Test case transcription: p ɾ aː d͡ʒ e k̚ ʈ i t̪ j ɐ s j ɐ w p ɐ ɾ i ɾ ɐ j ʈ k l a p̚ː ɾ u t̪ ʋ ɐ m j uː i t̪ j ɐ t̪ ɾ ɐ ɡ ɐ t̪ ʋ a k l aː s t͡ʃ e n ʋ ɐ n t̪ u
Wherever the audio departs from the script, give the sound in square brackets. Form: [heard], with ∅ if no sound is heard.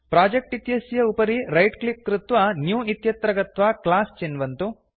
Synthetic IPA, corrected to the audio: p ɾ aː d͡ʒ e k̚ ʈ i t̪ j ɐ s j ɐ [u] p ɐ ɾ i ɾ ɐ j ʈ k l [i] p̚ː ɾ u t̪ ʋ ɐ [n] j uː i t̪ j ɐ t̪ ɾ ɐ ɡ ɐ t̪ ʋ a k l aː s t͡ʃ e n ʋ ɐ n t̪ u